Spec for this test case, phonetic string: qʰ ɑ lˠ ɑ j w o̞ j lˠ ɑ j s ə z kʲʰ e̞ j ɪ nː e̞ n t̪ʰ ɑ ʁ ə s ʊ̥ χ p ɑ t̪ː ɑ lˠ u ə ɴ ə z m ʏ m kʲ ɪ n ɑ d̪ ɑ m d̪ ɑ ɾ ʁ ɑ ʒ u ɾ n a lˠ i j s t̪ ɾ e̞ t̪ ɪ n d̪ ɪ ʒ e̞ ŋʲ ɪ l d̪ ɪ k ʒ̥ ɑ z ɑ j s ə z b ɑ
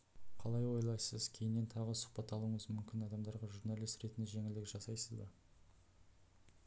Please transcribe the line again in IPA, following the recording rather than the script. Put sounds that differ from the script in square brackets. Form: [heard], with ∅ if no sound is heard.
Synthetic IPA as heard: qʰ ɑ lˠ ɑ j w o̞ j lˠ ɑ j s ə z kʲʰ e̞ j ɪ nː e̞ n t̪ʰ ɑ ʁ ə s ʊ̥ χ p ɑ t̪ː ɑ lˠ u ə ɴ ə z m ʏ m kʲ ɪ n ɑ d̪ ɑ m d̪ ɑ ɾ ʁ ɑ ʒ u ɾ n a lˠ i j s t̪ ɾ e̞ t̪ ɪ n d̪ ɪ ʒ e̞ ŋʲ ɪ l d̪ ɪ k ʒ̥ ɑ [s] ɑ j s ə z b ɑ